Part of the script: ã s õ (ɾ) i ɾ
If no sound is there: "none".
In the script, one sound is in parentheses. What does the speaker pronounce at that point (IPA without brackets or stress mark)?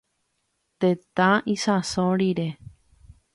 ɾ